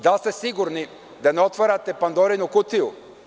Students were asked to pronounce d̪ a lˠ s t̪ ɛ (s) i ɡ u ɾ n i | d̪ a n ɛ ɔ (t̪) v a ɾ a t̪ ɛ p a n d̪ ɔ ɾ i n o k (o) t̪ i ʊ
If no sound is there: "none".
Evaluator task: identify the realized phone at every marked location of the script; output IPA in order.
s, t̪, u

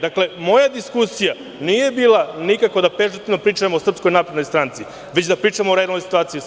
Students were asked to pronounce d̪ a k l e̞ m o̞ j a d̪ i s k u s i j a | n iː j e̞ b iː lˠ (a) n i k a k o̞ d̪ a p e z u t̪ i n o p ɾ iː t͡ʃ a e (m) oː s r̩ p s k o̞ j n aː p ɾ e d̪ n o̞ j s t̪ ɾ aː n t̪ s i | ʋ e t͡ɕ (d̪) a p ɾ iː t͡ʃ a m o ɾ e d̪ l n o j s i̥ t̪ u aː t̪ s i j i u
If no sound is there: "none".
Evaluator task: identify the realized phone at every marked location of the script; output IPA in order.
a, m, d̪

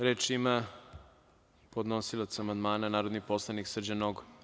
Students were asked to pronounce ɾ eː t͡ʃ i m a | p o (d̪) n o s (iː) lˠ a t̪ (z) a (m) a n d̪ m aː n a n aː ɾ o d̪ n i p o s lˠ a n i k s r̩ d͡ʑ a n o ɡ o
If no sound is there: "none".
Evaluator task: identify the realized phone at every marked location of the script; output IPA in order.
d̪, i, s, m

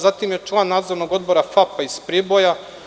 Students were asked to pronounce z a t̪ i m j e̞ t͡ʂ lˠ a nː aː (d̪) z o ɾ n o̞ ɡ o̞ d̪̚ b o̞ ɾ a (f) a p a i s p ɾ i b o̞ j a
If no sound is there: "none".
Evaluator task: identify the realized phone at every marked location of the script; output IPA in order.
d̪, f

